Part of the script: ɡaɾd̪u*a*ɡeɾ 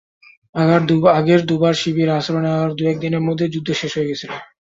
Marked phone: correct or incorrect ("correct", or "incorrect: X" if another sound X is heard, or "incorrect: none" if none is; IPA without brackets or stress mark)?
correct